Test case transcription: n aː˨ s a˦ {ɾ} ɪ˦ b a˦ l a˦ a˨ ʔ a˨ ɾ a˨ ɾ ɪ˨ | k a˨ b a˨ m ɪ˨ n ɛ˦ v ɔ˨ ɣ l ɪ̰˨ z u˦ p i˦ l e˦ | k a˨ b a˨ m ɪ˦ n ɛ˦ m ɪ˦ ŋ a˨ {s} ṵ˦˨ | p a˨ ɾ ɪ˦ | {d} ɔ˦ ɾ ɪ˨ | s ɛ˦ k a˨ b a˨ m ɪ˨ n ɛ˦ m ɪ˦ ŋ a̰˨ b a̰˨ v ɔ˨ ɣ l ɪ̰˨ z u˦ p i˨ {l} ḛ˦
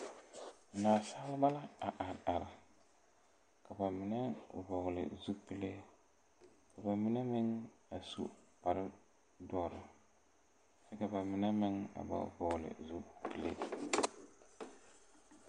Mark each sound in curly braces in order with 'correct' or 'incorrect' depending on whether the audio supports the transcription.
incorrect, correct, correct, correct

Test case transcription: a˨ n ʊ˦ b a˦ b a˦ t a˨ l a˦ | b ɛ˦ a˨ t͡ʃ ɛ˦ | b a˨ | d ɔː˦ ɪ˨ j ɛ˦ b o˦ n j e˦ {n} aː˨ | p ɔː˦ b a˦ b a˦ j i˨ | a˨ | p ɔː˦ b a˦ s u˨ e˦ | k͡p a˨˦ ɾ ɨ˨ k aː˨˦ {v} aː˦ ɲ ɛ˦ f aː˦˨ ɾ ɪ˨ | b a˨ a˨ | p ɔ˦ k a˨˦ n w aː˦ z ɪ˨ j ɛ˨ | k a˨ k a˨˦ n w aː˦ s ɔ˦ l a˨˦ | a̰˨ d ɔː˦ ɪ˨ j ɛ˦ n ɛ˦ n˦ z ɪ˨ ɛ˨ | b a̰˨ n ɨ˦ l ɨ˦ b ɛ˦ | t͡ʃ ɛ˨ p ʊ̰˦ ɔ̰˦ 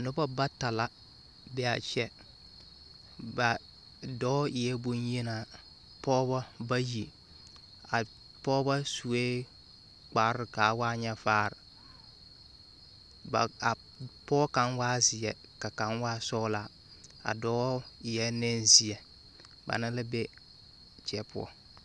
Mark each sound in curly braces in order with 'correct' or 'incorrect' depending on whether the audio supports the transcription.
correct, incorrect

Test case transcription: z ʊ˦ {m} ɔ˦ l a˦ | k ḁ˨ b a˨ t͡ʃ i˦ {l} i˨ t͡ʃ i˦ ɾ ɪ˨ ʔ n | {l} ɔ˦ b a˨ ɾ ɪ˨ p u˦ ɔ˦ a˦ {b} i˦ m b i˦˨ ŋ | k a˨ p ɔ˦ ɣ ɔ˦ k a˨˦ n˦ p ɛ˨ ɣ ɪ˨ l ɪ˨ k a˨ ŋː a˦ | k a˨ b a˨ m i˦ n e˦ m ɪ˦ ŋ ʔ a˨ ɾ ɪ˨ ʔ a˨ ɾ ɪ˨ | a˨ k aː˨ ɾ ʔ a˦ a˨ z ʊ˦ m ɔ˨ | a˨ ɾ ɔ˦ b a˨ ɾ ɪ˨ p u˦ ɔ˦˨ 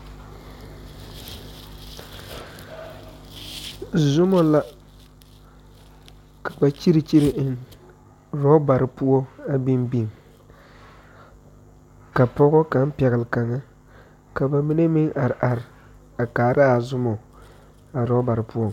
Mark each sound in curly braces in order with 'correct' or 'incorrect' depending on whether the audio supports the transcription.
correct, incorrect, incorrect, correct

